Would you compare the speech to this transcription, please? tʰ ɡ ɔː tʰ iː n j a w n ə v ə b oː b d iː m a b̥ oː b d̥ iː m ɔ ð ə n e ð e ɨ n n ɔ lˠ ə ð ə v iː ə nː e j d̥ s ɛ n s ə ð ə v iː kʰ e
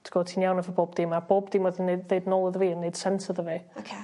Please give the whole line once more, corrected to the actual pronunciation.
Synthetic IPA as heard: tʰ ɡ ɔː tʰ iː n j a w n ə v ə b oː b d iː m a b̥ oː b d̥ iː m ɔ ð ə n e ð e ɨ d n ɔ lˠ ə ð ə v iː ə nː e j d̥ s ɛ n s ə ð ə v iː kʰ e